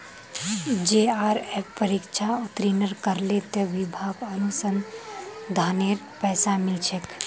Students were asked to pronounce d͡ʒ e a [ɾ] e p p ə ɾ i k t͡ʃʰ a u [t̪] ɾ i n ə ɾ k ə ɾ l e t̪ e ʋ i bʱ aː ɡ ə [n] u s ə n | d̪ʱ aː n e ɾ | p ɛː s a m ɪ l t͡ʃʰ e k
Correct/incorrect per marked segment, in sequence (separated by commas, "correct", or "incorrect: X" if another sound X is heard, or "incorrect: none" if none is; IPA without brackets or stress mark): correct, correct, correct